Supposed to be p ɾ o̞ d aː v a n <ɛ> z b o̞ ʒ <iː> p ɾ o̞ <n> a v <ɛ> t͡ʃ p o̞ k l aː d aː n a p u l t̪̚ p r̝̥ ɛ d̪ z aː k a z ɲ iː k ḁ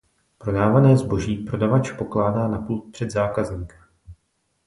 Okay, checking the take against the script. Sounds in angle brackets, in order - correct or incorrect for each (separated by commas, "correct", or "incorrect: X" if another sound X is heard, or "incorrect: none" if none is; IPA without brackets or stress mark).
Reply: incorrect: ɛː, correct, incorrect: d, incorrect: a